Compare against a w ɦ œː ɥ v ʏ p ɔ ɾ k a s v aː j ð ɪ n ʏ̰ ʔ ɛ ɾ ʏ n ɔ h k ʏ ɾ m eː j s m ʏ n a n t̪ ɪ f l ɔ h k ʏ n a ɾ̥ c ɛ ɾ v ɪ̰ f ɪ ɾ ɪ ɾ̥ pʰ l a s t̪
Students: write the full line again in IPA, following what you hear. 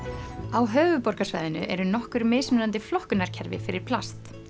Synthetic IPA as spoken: a w ɦ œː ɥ v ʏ p ɔ ɾ k a s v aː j ð ɪ n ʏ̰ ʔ ɛ ɾ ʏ n ɔ h k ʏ ɾ m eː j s m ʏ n a n t̪ ɪ f l ɔ h k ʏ n a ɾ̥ cʰ ɛ ɾ v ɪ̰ f ɪ ɾ ɪ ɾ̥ pʰ l a s t̪